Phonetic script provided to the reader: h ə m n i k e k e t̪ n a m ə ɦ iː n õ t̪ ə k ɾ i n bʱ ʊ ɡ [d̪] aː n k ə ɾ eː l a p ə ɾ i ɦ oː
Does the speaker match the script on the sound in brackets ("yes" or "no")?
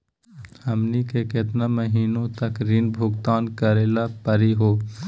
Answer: no